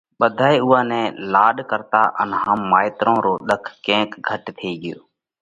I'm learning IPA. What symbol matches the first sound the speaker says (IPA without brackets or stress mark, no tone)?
ɓ